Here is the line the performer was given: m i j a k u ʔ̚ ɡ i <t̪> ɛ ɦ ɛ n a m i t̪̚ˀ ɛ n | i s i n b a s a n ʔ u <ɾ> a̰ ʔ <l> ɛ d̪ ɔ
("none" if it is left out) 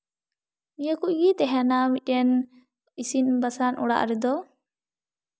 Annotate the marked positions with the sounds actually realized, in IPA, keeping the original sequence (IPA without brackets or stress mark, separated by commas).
t̪, ɽ, ɾ